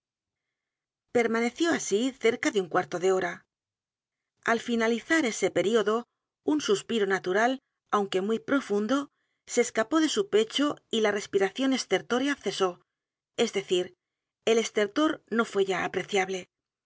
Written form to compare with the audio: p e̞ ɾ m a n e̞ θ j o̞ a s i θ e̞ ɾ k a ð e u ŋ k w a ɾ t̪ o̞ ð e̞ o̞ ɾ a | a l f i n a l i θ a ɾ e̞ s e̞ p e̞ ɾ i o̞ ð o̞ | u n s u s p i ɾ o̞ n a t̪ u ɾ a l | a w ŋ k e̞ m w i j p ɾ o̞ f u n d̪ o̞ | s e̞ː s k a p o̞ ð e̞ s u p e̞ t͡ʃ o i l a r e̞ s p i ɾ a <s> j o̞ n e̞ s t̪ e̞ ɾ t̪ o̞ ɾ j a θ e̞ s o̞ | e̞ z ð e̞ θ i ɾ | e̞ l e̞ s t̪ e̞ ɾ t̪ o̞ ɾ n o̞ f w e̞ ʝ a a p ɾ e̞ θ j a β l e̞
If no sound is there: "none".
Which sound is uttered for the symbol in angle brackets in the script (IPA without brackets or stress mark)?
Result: θ